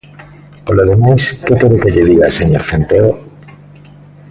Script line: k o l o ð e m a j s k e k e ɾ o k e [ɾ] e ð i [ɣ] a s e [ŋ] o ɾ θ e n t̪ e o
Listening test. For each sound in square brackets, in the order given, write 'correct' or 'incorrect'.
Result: incorrect, correct, incorrect

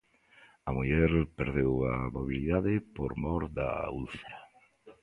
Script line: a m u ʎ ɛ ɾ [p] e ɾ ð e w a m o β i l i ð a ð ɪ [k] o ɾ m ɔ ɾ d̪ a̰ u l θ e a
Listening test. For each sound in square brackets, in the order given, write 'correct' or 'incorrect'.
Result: correct, incorrect

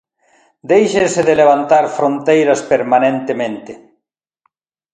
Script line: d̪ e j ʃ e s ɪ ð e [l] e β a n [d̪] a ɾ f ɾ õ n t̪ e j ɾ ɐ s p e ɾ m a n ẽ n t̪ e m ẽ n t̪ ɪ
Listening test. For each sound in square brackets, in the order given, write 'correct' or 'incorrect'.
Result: correct, incorrect

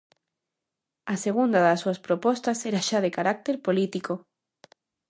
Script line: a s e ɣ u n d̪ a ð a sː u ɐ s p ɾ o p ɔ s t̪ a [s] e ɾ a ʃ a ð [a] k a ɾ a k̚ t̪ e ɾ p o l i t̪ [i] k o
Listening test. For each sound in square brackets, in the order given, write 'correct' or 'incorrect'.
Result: correct, incorrect, correct

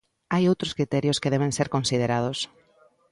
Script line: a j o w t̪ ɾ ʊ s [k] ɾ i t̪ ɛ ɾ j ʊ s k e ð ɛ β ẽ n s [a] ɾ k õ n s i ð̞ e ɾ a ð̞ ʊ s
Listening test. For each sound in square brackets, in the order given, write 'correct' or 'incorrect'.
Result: correct, incorrect

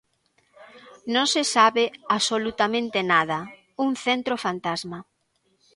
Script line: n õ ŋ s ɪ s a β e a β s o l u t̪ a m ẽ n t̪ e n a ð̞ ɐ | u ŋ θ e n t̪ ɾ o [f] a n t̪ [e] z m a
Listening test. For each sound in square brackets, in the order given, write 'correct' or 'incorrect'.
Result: correct, incorrect

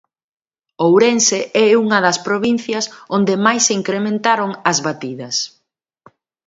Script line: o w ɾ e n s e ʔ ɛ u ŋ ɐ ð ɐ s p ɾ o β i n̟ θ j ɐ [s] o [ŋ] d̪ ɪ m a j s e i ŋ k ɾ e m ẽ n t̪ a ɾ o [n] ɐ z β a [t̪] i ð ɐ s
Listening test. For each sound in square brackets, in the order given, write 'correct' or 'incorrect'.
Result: correct, incorrect, incorrect, correct

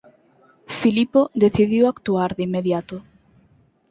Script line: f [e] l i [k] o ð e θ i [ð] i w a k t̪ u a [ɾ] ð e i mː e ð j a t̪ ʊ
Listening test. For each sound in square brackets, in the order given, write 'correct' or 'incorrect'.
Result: incorrect, incorrect, correct, correct

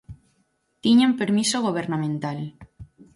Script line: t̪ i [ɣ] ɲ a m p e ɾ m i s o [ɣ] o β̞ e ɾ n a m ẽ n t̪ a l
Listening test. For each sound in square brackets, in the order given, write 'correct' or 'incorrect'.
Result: incorrect, correct

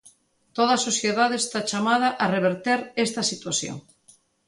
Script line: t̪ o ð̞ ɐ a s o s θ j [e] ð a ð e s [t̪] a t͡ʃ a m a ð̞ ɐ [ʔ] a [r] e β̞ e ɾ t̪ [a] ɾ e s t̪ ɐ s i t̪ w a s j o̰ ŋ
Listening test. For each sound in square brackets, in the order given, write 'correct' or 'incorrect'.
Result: correct, correct, correct, correct, incorrect

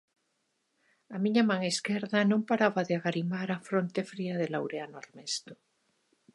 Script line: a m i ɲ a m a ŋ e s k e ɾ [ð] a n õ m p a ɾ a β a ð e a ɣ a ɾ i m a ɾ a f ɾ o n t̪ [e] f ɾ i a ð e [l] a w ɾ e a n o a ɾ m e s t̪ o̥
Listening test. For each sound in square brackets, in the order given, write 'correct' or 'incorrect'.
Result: correct, correct, correct

